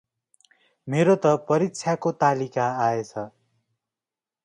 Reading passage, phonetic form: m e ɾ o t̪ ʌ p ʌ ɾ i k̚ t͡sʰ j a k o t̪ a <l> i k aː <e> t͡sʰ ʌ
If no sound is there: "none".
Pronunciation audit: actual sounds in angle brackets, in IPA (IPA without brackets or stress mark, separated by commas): l, e